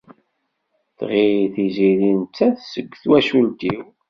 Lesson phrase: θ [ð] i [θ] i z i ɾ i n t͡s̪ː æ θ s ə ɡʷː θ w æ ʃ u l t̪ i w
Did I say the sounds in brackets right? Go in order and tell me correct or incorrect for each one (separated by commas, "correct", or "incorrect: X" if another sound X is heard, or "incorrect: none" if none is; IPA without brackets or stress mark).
incorrect: ʁ, correct